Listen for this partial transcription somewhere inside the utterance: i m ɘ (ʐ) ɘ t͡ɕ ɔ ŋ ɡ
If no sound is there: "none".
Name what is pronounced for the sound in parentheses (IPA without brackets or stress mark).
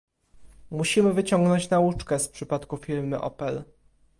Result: v